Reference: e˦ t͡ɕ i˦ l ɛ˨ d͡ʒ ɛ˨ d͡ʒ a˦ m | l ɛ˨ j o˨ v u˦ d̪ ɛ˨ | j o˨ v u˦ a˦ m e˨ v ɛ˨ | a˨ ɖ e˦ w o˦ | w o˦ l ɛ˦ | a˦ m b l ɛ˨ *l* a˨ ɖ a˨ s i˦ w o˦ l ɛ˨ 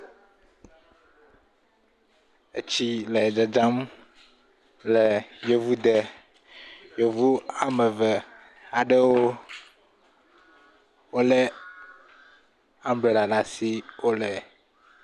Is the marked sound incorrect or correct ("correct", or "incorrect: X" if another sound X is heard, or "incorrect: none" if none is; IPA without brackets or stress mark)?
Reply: correct